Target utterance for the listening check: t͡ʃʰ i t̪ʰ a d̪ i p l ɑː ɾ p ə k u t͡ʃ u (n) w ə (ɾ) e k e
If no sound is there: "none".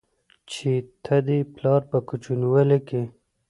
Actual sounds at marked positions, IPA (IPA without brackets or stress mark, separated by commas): n, l